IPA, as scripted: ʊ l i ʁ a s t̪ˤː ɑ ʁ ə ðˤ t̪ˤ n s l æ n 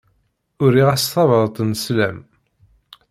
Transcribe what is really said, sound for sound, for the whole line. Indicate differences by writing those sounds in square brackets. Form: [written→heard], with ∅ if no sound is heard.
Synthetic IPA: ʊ [l→ɾ] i ʁ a s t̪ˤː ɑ [ʁ→v] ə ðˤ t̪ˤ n s l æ [n→m]